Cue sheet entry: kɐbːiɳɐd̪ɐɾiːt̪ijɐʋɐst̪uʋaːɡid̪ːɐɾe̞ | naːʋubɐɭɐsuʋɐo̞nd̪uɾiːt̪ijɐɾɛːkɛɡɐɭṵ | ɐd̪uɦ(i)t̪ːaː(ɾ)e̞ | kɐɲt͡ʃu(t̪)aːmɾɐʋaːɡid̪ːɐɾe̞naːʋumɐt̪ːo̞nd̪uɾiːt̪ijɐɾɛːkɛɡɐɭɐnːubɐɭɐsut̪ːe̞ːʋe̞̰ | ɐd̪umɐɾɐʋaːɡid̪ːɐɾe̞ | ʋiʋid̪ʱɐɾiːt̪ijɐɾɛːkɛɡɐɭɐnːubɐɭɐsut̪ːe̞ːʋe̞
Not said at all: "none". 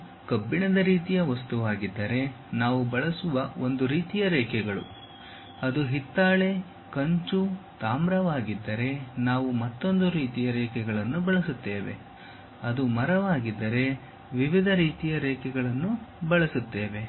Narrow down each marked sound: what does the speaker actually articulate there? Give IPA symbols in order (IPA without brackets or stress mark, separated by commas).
i, ɭ, t̪